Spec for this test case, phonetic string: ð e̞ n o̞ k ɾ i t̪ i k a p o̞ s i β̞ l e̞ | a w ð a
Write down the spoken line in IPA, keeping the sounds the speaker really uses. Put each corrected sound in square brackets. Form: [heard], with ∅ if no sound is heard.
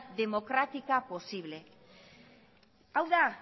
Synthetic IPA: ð e̞ [m] o̞ k ɾ [a] t̪ i k a p o̞ s i β̞ l e̞ | a w ð a